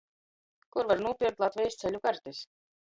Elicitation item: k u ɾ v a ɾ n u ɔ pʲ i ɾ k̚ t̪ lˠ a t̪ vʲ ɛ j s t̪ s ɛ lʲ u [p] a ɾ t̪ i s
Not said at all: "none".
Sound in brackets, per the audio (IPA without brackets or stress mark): k